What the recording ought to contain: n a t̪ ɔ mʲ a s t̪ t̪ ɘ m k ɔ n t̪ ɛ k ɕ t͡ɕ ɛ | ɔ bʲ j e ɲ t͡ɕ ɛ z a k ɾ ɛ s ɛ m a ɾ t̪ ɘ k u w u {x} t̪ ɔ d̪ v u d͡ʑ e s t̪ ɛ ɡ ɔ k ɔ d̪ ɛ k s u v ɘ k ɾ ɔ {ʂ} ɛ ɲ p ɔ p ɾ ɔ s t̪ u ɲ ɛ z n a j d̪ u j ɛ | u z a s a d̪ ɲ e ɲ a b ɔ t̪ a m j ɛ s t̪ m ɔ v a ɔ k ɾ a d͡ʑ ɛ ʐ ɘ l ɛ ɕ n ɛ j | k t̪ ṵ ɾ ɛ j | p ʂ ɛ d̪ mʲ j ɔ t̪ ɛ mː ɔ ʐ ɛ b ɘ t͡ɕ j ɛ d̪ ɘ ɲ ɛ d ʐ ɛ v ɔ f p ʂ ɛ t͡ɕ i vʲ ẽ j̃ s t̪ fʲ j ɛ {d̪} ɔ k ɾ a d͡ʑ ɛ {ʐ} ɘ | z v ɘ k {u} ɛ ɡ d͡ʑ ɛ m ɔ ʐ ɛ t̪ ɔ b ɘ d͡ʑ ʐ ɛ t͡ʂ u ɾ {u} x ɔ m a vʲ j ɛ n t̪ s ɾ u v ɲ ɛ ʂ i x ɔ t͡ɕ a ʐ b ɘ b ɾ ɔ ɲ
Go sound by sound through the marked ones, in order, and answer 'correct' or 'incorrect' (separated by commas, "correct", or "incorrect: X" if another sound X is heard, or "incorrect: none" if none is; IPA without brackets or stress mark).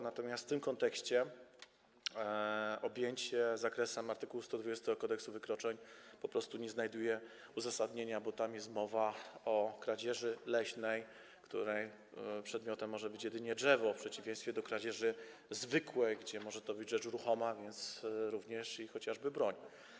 incorrect: s, incorrect: t͡ʂ, correct, correct, incorrect: w, correct